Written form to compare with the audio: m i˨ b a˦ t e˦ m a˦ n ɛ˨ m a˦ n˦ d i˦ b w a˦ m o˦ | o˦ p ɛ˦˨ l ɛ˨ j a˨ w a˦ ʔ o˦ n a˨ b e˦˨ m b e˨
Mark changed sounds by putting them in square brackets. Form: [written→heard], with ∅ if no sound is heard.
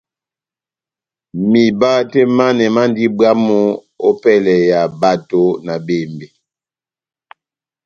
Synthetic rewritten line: m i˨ b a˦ t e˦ m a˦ n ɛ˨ m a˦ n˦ d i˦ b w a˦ m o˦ | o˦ p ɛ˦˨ l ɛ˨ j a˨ [w→b] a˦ [ʔ→t] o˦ n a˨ b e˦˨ m b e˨